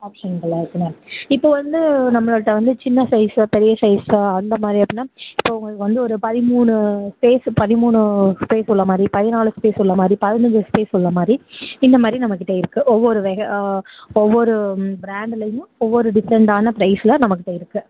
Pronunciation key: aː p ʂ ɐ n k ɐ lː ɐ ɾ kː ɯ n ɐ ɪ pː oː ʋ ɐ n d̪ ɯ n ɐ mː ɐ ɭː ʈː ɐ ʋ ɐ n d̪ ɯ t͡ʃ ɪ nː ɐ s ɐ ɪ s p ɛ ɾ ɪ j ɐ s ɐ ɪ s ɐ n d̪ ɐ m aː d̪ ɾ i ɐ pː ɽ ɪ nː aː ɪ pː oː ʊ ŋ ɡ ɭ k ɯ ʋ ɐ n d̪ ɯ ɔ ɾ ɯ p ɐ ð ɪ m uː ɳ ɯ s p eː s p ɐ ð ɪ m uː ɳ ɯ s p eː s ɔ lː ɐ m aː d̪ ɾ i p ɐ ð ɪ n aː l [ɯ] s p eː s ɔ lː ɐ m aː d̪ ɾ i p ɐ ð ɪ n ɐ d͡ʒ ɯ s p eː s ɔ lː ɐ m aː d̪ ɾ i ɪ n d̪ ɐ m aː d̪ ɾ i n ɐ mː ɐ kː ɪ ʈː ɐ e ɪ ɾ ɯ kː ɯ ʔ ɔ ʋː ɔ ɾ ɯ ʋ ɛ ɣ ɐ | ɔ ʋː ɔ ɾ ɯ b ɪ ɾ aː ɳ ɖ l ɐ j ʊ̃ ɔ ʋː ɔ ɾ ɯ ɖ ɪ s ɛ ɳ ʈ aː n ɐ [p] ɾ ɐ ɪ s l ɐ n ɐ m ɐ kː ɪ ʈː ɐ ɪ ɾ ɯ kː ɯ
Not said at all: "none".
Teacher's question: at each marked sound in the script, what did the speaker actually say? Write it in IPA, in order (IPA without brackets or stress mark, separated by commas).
ɯ, p